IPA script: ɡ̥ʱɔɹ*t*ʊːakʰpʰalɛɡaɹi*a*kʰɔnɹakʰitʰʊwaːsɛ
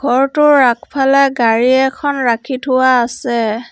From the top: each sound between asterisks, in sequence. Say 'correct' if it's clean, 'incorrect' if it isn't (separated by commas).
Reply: correct, incorrect